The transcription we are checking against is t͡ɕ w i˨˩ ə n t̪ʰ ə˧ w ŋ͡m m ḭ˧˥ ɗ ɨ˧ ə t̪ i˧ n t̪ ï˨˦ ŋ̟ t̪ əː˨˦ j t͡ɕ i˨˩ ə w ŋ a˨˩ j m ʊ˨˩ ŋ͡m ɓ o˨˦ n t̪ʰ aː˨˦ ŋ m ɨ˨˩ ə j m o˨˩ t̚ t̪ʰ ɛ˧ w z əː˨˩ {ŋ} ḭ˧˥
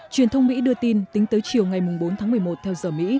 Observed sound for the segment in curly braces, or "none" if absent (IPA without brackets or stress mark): m